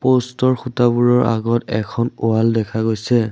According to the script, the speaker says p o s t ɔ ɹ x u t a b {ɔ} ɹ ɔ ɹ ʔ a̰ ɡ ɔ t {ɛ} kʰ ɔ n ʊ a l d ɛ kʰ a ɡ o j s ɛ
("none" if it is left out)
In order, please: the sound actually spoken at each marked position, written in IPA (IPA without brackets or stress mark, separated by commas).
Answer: u, ɛ